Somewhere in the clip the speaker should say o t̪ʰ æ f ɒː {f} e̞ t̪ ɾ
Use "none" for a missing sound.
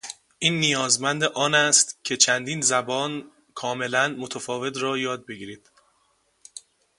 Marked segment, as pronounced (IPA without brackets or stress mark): v